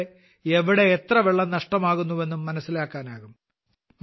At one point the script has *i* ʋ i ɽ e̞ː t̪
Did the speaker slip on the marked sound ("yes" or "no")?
yes